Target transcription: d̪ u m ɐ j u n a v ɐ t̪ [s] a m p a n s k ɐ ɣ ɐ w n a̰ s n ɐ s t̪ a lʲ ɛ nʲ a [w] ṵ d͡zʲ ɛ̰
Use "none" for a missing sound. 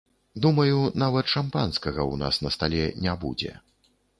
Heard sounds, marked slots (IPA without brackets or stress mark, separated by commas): ʂ, b